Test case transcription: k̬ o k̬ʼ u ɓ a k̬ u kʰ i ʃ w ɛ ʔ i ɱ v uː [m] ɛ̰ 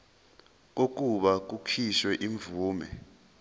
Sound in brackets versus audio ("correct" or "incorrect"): correct